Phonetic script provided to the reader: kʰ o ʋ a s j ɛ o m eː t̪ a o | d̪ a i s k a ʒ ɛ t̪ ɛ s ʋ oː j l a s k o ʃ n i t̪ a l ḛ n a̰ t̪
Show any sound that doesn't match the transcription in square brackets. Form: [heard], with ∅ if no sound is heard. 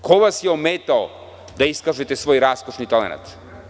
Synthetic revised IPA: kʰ o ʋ a s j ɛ o m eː t̪ a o | d̪ a i s k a ʒ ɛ t̪ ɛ s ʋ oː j [ɾ] a s k o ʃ n i t̪ a l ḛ n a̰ t̪